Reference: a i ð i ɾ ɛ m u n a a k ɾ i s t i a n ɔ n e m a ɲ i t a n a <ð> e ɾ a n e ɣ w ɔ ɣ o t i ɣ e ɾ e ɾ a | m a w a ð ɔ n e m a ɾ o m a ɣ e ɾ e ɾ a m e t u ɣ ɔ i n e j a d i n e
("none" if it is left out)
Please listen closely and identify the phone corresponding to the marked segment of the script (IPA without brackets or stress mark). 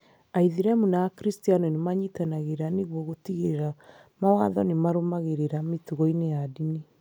ɣ